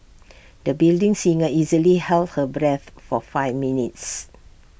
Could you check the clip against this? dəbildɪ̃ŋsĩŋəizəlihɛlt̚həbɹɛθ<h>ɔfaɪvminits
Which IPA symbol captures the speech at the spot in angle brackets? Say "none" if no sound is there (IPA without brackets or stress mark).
f